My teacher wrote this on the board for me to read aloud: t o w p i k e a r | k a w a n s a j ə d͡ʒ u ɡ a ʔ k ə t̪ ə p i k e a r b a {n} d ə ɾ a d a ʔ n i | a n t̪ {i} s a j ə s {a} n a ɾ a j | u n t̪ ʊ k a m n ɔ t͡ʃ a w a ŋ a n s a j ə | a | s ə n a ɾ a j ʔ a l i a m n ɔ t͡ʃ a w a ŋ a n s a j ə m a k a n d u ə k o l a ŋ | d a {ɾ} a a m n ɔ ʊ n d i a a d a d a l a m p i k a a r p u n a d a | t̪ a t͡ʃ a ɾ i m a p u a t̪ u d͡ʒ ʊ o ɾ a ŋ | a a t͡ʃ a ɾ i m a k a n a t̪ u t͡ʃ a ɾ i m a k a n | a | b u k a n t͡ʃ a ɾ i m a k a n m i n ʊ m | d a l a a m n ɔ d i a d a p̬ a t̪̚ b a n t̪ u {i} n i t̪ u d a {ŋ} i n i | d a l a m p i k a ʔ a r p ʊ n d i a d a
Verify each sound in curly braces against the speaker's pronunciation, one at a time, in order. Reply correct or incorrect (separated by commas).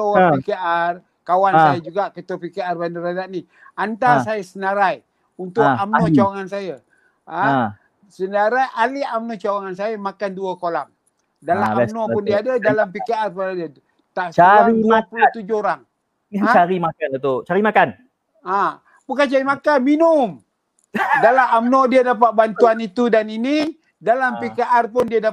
correct, incorrect, incorrect, incorrect, incorrect, incorrect